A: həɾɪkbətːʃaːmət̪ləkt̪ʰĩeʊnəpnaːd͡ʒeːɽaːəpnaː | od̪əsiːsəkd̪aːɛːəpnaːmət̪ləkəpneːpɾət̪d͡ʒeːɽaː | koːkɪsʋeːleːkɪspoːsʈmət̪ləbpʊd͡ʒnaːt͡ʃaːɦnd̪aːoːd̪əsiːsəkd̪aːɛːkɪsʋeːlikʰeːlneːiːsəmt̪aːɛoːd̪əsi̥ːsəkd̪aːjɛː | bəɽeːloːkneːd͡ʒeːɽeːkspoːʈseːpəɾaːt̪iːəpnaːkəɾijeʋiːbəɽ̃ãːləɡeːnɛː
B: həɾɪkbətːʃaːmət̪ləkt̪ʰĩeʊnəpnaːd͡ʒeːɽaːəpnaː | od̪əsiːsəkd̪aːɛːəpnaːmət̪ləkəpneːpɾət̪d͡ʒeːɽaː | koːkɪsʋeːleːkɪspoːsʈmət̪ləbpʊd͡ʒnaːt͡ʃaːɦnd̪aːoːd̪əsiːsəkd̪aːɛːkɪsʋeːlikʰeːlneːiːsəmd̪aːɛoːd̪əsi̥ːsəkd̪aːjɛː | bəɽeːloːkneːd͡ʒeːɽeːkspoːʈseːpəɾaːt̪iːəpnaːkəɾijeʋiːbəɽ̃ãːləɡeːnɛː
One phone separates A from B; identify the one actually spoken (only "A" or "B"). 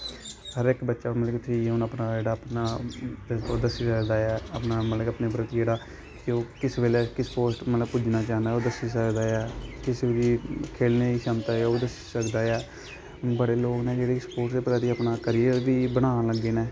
A